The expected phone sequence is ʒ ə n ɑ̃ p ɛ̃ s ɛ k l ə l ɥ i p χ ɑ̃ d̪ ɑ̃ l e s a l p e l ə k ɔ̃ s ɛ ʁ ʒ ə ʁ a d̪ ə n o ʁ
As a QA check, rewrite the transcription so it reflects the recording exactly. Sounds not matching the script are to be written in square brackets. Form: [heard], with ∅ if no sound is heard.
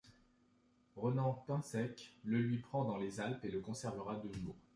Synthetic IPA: [ʁ] ə n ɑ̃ p ɛ̃ s ɛ k l ə l ɥ i p χ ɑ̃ d̪ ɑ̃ l e [z] a l p e l ə k ɔ̃ s ɛ ʁ [v] ə ʁ a d̪ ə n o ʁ